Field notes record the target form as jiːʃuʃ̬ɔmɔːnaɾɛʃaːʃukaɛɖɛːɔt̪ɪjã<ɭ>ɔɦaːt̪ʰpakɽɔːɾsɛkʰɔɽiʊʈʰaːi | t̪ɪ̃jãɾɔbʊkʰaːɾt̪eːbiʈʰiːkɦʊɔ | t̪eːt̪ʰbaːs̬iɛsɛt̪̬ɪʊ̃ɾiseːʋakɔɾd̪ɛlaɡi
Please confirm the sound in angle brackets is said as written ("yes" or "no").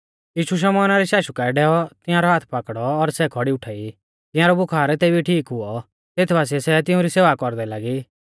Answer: no